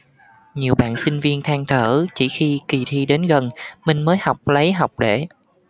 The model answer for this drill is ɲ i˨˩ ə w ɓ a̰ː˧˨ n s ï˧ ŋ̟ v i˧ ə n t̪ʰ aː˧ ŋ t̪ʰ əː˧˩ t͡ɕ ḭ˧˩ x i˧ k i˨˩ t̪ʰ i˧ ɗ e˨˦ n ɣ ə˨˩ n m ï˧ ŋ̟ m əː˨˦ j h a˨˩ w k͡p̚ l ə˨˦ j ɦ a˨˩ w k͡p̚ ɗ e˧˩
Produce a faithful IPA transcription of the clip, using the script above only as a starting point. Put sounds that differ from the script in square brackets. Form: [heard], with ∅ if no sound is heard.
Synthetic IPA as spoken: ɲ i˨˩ ə w ɓ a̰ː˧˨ n s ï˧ ŋ̟ v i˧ ə n t̪ʰ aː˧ ŋ t̪ʰ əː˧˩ t͡ɕ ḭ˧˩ x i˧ k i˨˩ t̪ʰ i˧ ɗ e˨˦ n ɣ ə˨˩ n m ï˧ ŋ̟ m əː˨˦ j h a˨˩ w k͡p̚ l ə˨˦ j ɦ a˨˩ w k͡p̚ ɗ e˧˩